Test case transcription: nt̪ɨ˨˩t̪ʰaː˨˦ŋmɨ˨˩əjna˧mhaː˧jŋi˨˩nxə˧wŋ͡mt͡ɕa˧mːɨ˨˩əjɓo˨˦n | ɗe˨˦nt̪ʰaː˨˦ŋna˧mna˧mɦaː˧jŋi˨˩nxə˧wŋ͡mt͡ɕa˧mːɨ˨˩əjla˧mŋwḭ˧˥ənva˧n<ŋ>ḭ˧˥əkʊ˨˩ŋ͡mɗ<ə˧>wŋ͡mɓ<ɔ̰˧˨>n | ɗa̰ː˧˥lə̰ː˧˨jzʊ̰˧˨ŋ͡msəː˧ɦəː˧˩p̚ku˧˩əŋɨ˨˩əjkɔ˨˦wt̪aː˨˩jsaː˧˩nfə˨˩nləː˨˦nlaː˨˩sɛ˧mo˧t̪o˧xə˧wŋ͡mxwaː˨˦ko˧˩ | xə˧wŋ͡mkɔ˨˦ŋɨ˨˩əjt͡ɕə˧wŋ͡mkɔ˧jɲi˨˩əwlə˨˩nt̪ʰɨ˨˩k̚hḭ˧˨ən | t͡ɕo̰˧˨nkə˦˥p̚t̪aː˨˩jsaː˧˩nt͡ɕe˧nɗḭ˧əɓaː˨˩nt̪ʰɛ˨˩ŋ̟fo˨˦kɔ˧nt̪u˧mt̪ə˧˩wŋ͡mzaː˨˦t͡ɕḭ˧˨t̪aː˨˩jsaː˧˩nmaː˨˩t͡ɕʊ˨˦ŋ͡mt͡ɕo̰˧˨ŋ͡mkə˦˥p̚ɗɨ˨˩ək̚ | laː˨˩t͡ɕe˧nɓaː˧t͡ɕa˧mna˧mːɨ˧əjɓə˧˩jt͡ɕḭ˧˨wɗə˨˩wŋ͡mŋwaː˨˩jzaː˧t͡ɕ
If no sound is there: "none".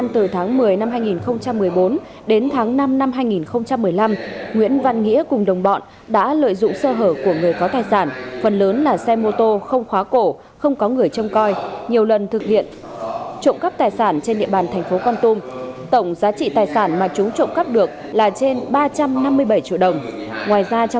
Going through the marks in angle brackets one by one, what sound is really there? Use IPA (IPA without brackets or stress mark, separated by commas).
ŋ, ə˨˩, ɔ̰˧˨